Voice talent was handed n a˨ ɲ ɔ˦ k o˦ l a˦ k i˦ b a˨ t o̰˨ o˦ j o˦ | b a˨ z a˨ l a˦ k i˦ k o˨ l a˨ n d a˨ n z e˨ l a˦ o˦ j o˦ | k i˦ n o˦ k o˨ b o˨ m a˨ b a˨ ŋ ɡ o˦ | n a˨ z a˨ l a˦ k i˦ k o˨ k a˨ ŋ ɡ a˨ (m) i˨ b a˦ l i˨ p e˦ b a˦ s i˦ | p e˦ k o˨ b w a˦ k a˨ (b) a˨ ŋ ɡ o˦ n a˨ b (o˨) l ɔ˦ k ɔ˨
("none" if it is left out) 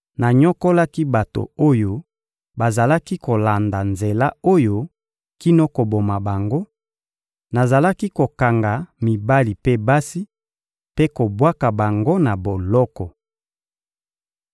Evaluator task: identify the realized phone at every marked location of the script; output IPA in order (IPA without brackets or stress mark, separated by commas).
m, b, o˨